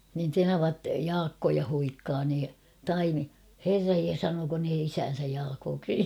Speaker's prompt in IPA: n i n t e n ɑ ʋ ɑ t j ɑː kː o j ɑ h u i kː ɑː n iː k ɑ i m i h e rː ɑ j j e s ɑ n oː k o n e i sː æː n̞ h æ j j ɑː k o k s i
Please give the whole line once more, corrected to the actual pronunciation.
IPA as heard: n i n t e n ɑ ʋ ɑ t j ɑː kː o j ɑ h u i kː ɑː n iː t ɑ i m i h e rː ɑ j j e s ɑ n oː k o n e i s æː n̞ s æ j j ɑː k oː k s i